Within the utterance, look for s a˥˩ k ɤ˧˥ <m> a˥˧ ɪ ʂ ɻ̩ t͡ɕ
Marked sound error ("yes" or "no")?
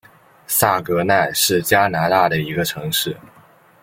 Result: yes